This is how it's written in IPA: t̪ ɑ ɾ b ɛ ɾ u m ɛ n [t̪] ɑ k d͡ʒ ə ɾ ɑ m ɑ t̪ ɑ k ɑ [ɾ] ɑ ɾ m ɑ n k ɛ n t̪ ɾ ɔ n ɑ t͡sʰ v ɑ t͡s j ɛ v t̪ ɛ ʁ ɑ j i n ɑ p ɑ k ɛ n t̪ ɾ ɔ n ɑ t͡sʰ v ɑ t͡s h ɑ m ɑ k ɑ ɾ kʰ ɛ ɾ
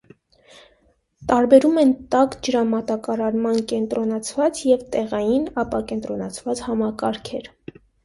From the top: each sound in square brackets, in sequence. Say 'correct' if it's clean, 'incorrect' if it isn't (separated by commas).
correct, correct